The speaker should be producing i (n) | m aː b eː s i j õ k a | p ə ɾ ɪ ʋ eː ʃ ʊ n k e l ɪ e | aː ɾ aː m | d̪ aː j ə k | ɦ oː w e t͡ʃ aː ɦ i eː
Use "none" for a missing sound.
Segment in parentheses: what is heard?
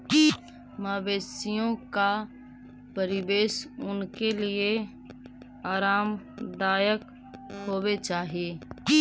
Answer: none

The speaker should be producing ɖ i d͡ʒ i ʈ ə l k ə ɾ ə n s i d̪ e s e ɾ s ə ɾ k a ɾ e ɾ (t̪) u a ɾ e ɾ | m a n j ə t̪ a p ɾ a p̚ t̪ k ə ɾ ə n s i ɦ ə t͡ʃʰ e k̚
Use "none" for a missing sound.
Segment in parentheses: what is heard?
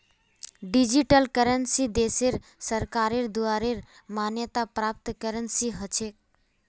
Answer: d̪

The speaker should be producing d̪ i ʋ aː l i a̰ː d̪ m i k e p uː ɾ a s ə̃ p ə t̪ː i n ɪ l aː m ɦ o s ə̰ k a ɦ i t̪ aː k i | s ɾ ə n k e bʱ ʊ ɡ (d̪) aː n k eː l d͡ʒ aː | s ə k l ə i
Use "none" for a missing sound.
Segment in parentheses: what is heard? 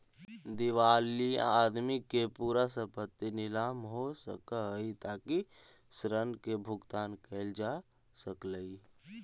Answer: t̪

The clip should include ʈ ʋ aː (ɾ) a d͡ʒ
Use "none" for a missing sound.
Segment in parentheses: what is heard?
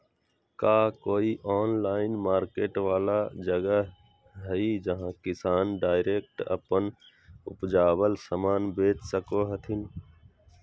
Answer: l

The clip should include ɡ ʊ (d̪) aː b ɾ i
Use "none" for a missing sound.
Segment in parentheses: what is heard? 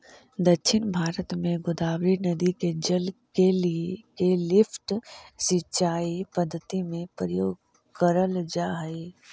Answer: d̪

